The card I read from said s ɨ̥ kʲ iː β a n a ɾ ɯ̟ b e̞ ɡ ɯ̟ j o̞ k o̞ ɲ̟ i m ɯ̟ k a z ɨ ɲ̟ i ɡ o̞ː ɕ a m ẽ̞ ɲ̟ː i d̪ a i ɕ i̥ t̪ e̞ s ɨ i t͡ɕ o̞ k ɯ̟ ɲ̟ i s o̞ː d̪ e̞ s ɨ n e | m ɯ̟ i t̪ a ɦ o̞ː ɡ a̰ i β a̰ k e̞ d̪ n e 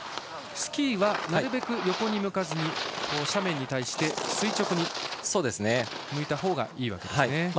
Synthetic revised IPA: s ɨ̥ kʲ iː β a n a ɾ ɯ̟ b e̞ k ɯ̟ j o̞ k o̞ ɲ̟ i m ɯ̟ k a z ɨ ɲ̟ i k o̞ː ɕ a m ẽ̞ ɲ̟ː i t̪ a i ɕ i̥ t̪ e̞ s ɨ i t͡ɕ o̞ k ɯ̟ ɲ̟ i s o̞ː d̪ e̞ s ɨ n e | m ɯ̟ i t̪ a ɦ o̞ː ɡ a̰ iː β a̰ k e̞ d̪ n e